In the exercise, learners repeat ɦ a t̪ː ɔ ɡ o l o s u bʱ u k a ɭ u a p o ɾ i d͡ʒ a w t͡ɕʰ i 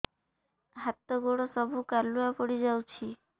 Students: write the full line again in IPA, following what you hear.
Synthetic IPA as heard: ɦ a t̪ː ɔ ɡ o ɽ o s ɔ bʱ u k a l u a p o ɽ i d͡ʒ a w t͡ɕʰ i